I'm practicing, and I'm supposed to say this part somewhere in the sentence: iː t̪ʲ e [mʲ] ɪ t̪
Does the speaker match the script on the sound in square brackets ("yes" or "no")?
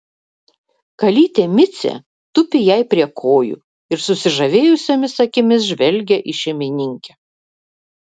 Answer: yes